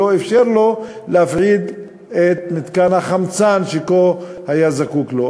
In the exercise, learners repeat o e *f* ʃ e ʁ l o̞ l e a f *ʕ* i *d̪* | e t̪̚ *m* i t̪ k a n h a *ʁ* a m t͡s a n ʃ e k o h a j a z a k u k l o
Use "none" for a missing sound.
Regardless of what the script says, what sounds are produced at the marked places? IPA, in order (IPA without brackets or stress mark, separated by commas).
f, ʕ, d̪, m, χ